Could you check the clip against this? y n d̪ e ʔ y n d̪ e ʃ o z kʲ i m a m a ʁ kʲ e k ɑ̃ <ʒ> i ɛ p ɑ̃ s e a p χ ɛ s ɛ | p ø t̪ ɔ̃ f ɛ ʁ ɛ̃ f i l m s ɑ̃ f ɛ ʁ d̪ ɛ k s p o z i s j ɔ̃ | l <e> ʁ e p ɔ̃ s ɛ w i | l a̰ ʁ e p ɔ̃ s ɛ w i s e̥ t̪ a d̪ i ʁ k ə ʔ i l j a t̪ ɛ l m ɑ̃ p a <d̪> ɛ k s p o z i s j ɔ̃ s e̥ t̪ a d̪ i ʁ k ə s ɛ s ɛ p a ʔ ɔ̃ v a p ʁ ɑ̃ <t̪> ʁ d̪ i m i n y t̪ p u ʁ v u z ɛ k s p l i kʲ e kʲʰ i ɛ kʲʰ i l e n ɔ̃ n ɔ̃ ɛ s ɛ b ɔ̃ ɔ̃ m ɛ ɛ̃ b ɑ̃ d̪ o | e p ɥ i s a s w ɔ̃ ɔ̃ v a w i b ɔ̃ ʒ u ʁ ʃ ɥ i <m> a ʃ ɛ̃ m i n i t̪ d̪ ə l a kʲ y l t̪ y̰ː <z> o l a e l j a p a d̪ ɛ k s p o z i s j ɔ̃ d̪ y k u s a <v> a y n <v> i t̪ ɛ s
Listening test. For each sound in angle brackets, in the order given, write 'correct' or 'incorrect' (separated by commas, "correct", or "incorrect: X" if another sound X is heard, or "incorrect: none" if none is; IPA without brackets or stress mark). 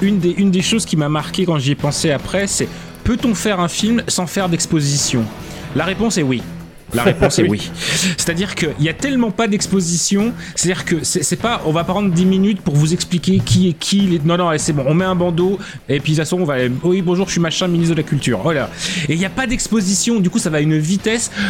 correct, incorrect: a, correct, incorrect: d̪, correct, incorrect: ʁ, correct, correct